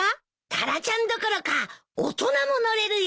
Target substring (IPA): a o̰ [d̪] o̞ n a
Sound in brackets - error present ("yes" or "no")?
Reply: yes